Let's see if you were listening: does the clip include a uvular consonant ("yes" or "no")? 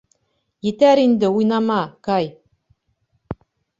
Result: no